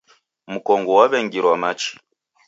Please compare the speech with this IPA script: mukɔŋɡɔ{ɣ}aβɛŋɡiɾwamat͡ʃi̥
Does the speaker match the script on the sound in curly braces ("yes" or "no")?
no